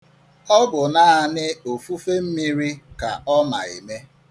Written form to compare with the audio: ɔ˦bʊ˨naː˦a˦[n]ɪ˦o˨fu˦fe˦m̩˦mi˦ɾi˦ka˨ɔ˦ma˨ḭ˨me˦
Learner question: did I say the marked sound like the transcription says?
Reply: yes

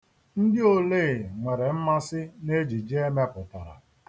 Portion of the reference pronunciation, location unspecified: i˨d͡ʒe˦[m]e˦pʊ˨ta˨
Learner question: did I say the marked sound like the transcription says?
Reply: yes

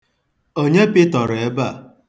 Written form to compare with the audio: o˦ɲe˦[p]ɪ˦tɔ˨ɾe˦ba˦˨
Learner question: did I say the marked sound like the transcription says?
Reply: yes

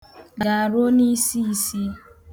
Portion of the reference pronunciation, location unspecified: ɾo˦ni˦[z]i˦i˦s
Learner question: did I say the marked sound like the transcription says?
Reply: no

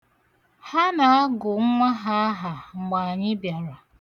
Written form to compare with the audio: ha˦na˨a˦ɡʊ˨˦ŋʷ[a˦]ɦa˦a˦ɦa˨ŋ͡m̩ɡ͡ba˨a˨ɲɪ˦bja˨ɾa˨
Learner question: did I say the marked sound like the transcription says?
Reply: yes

